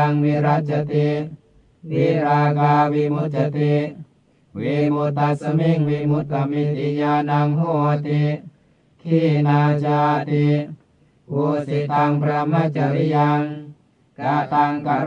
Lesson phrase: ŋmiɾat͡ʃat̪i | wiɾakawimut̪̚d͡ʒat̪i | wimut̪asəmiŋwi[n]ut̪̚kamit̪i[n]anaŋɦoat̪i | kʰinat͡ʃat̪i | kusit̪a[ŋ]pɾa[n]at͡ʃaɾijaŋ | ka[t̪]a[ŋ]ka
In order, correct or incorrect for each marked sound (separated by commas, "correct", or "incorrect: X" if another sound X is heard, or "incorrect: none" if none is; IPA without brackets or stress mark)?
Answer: incorrect: m, incorrect: ɲ, correct, incorrect: m, correct, correct